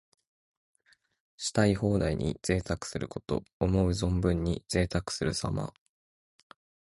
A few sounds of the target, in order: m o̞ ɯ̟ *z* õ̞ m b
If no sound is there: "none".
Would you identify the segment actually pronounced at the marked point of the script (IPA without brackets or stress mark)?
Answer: z